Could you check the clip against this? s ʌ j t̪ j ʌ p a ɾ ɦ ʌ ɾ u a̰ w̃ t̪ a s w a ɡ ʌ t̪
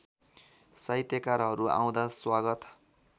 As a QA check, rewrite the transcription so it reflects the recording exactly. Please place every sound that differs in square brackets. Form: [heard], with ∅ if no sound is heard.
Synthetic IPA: s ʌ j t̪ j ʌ [k] a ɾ ɦ ʌ ɾ u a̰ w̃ [d̪] a s w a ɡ ʌ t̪